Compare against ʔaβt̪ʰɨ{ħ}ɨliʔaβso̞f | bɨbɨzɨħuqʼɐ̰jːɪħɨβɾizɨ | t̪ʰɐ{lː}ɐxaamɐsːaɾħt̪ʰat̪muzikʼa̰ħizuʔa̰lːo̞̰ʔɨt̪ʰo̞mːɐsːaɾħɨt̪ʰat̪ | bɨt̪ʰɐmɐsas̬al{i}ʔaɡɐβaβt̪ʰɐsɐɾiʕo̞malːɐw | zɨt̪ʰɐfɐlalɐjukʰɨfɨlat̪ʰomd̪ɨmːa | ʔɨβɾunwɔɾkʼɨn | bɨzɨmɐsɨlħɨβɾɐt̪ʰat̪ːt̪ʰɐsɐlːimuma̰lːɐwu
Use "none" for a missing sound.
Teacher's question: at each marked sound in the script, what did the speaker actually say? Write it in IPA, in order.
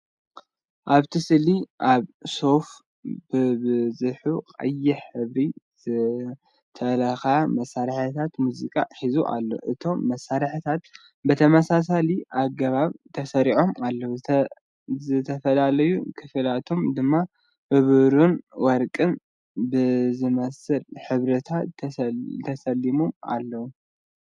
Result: s, l, i

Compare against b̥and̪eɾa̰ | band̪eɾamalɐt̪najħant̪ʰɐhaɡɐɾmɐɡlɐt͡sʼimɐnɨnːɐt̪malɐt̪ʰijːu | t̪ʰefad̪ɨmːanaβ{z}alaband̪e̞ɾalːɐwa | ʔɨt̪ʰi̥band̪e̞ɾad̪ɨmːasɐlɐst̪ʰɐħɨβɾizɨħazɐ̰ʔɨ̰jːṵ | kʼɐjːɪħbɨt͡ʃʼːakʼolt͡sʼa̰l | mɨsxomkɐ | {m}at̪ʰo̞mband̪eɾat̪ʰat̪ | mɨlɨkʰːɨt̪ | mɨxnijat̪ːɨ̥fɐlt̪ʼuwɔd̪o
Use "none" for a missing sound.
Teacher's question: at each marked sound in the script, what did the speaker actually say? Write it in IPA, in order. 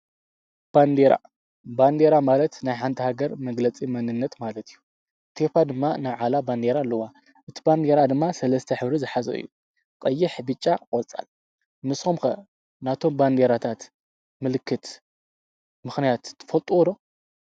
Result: ʕ, n

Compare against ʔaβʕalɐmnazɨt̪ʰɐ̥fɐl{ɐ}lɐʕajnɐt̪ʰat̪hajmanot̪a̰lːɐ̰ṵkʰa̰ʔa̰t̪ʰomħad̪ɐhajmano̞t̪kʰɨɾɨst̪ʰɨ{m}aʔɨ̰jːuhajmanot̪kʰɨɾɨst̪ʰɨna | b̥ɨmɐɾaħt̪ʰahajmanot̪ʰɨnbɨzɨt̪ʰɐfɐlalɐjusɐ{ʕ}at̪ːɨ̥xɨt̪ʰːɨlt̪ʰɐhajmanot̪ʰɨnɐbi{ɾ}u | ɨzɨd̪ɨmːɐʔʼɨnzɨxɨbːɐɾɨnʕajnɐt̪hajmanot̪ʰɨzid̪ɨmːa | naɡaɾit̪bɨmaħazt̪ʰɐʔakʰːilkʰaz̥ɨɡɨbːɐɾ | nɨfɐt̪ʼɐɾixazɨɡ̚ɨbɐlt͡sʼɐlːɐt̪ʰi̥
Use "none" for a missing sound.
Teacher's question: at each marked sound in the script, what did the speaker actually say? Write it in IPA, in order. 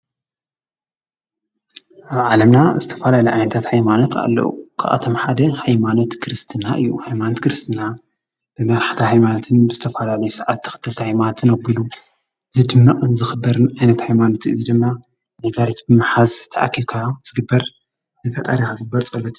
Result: a, n, ʕ, l

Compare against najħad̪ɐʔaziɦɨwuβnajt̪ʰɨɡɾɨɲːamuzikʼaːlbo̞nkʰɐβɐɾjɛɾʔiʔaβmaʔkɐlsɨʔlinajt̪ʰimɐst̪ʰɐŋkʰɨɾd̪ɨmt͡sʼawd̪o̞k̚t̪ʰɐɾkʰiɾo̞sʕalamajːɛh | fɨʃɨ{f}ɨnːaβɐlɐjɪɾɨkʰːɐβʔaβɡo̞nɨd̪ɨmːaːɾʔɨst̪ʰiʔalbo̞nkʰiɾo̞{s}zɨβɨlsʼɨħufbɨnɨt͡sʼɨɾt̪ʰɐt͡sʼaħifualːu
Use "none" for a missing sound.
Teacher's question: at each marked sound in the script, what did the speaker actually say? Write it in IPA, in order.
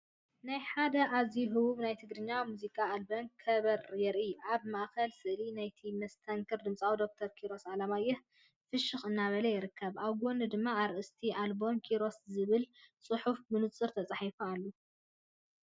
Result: x, s

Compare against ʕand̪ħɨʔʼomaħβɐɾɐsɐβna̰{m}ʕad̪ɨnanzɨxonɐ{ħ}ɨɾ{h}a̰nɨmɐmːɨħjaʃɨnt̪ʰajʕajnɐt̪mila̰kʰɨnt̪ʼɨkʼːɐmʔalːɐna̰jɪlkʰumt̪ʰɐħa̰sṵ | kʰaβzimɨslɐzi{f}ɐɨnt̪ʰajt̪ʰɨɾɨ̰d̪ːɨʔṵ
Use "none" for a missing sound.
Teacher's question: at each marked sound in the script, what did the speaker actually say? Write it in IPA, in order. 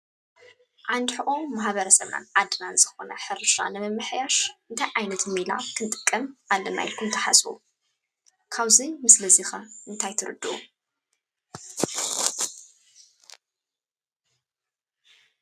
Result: n, ħ, ʃ, x

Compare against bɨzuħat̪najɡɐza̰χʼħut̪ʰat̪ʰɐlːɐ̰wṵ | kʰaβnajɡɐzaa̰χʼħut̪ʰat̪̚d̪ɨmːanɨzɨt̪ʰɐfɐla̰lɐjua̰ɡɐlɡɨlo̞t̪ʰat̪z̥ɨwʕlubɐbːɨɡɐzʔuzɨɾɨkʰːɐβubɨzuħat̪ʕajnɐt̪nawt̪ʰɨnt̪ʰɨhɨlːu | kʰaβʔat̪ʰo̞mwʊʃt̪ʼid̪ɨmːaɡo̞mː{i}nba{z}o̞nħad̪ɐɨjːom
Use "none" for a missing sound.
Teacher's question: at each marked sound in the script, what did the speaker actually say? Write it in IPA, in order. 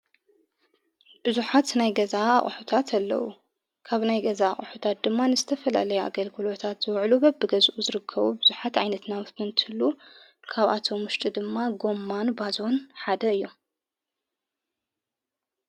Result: a, z

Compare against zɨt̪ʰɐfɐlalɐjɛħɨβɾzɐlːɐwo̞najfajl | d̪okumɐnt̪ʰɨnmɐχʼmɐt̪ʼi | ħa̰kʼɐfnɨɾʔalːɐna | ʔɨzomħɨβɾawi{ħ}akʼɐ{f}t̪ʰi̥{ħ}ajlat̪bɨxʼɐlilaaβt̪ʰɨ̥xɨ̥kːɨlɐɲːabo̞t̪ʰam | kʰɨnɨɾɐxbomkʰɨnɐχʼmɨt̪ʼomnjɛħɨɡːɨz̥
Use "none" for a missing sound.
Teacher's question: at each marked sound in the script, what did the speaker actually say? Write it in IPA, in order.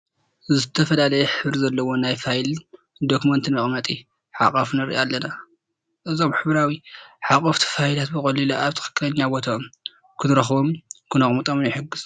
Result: ħ, f, f

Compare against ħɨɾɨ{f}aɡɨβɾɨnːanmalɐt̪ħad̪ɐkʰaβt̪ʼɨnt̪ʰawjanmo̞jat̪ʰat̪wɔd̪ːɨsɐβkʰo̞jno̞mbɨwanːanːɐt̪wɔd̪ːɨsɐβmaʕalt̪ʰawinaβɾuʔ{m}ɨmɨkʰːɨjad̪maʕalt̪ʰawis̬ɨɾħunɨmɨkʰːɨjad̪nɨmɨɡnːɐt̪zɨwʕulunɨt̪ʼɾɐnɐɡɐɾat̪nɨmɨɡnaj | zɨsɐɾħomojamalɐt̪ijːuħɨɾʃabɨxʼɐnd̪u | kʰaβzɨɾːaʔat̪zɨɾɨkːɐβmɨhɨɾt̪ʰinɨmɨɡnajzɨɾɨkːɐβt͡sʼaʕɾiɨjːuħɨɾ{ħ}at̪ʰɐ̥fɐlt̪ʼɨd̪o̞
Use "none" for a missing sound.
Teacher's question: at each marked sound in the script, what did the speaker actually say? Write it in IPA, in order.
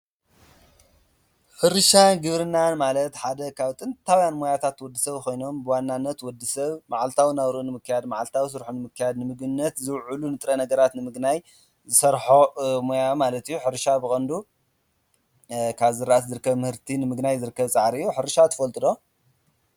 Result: ʃ, n, ʃ

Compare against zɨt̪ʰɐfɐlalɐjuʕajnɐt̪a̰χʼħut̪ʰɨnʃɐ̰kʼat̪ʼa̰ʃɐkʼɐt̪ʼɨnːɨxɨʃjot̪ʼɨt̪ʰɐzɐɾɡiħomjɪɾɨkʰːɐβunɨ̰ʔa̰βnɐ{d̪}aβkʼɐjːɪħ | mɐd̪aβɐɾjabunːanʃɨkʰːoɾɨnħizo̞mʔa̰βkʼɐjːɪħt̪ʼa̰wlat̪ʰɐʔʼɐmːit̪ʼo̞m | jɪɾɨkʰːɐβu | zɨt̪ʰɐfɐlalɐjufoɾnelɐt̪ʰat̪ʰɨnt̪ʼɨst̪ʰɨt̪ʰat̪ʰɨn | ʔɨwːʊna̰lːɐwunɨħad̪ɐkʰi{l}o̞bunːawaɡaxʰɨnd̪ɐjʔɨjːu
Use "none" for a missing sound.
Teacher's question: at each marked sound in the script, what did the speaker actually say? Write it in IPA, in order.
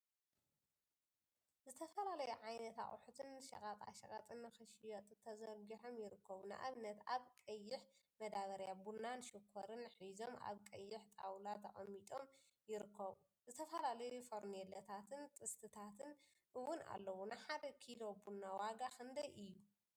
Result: t̪, l

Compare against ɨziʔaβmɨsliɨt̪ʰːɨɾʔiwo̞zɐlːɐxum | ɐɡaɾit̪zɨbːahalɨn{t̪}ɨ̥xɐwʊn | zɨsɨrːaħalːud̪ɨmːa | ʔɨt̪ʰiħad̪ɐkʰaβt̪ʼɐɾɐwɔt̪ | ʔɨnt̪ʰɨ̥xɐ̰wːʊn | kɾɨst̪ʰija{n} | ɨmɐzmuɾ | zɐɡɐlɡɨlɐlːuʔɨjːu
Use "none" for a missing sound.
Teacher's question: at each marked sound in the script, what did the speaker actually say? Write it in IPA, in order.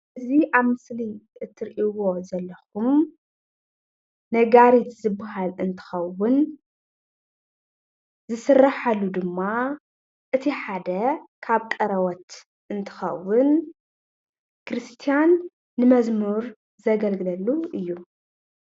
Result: t̪ʰ, nː

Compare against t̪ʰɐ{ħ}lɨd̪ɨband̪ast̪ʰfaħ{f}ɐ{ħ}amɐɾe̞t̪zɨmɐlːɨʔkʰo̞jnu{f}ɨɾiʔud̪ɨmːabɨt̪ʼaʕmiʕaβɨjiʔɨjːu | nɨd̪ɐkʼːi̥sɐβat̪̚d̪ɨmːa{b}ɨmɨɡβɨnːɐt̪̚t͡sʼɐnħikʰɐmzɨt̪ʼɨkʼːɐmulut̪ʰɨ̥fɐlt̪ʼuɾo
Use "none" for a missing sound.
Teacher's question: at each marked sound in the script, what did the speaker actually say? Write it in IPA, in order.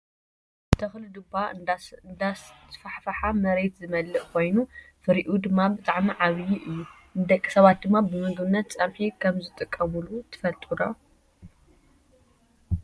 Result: x, f, ħ, f, b

